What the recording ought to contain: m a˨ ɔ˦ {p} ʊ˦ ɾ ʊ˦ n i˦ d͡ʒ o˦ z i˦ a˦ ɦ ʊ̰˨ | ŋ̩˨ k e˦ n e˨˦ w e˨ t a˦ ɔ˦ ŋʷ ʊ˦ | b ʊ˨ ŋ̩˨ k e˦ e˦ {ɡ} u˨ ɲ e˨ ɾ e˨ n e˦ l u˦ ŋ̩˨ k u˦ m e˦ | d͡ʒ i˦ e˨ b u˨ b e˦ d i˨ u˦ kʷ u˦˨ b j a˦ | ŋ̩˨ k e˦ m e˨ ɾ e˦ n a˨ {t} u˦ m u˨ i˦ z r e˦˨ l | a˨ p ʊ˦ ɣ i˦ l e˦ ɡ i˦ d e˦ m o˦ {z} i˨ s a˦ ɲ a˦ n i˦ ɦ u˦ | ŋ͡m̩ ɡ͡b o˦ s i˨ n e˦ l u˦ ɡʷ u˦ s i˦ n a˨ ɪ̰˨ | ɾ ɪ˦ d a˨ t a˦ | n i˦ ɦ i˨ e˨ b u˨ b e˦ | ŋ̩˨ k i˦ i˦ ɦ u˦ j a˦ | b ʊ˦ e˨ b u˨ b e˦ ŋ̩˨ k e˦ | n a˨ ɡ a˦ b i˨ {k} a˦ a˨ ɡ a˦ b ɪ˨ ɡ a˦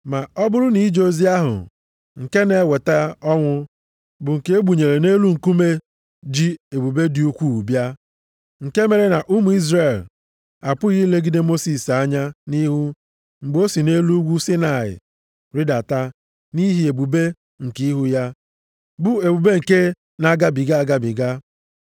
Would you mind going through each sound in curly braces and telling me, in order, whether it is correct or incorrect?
incorrect: b, incorrect: ɡ͡b, incorrect: ʔ, incorrect: s, incorrect: ɡ

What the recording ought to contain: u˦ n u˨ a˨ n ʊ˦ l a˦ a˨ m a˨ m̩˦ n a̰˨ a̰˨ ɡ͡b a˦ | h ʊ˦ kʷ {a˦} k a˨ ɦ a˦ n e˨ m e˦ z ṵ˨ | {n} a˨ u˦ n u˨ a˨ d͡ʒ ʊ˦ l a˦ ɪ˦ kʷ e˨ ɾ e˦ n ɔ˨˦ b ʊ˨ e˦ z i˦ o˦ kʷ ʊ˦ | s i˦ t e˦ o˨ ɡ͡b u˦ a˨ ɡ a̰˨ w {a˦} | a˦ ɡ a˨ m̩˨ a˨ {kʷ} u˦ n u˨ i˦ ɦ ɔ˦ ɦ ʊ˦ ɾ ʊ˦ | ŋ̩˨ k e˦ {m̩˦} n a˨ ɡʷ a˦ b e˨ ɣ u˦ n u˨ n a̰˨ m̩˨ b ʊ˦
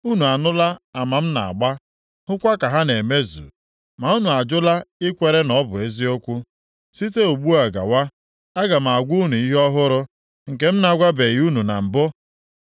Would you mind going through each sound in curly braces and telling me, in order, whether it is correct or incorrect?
correct, incorrect: m, correct, incorrect: ɡʷ, correct

